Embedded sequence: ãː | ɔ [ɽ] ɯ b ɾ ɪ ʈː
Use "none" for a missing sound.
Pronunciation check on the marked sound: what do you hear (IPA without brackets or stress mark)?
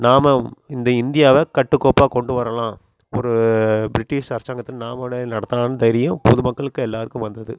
ɾ